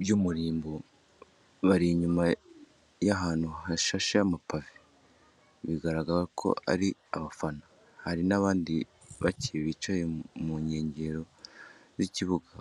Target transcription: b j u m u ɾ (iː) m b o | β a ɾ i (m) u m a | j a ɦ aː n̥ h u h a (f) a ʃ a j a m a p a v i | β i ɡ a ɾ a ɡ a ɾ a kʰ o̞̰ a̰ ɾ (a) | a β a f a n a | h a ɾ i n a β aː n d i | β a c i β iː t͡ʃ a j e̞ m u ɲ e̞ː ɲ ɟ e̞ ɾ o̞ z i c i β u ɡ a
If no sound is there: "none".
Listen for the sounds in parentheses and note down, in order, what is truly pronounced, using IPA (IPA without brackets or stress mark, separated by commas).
iː, ɲ, ʃ, i